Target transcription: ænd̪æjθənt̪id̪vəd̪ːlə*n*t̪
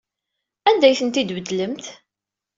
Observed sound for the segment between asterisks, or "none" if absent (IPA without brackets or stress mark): m